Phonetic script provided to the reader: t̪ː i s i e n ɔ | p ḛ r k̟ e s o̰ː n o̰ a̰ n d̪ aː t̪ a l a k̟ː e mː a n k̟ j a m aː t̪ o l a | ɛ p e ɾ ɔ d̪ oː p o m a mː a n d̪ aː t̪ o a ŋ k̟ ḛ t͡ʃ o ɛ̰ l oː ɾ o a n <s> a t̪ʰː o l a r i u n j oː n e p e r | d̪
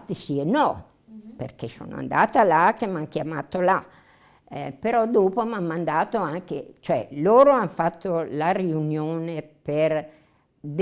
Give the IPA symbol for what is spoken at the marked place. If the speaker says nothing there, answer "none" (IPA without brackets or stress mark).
f